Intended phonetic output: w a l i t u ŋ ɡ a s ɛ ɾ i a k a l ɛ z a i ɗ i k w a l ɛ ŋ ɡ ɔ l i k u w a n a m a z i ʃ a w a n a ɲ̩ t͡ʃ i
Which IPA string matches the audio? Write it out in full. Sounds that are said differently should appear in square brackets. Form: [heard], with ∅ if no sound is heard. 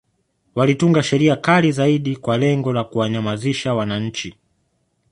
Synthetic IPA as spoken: w a l i t u ŋ ɡ a [ʃ] ɛ ɾ i a k a l [i] z a i ɗ i k w a l ɛ ŋ ɡ ɔ l [a] k u w a [ɲ] a m a z i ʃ a w a n a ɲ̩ t͡ʃ i